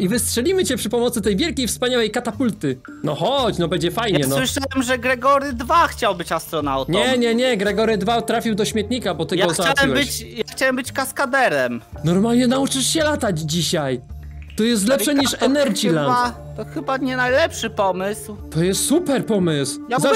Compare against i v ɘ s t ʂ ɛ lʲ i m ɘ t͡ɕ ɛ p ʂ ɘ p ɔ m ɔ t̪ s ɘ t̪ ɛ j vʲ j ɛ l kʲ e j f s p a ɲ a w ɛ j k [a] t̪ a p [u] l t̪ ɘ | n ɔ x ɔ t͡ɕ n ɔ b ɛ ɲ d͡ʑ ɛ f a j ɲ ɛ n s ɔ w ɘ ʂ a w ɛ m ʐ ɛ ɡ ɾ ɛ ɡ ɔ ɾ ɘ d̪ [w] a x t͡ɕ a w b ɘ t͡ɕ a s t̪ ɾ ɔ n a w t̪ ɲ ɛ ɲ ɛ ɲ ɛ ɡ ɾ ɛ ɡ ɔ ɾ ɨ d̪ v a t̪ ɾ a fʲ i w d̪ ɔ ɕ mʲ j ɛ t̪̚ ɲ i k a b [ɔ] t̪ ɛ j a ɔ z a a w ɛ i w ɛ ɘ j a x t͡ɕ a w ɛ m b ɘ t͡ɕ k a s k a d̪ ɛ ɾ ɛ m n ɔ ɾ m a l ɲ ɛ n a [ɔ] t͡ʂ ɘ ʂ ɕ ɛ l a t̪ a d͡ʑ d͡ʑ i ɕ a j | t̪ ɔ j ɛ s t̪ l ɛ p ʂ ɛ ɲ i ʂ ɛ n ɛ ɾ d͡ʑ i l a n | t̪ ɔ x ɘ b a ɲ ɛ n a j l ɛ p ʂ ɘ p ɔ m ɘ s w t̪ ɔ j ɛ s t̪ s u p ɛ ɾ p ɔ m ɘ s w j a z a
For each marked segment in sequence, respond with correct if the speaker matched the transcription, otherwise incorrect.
correct, correct, incorrect: v, correct, incorrect: u

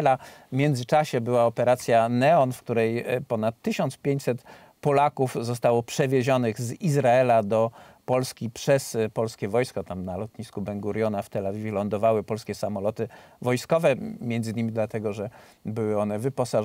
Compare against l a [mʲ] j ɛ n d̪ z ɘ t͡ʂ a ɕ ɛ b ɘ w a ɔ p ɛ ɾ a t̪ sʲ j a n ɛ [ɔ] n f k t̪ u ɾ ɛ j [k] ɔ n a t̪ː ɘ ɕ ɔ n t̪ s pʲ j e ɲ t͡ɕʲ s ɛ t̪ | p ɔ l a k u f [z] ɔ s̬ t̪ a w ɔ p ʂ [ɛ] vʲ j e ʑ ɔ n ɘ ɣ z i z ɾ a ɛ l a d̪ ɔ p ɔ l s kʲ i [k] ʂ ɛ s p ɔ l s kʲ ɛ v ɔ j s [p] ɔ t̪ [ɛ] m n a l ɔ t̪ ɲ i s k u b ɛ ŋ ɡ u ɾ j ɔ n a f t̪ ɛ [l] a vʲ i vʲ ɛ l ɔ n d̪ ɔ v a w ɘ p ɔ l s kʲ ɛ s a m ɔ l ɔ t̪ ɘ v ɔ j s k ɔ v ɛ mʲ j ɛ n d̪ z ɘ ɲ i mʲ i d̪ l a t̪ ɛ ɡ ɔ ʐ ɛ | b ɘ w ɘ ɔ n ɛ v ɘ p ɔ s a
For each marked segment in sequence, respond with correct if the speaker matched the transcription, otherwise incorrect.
correct, correct, incorrect: p, correct, correct, incorrect: p, incorrect: k, incorrect: a, correct

